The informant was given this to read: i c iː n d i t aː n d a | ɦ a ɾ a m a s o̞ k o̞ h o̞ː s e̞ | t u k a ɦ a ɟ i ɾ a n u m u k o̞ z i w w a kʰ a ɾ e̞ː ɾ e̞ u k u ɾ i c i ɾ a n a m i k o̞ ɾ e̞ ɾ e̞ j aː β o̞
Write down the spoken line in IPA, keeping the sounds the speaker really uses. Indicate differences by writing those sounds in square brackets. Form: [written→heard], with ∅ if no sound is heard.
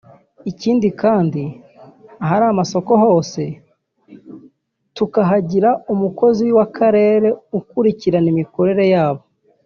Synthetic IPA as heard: i c iː n d i [t→k] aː n d [a→i] | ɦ a ɾ a m a s o̞ k o̞ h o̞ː s e̞ | t u k a ɦ a ɟ i ɾ a [n→∅] u m u k o̞ z i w w a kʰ a ɾ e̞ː ɾ e̞ u k u ɾ i c i ɾ a n [a→i] m i k o̞ ɾ e̞ ɾ e̞ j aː β o̞